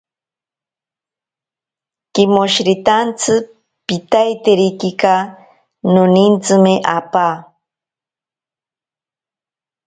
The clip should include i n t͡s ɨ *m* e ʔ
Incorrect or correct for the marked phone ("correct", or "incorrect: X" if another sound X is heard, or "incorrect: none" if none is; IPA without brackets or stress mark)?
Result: correct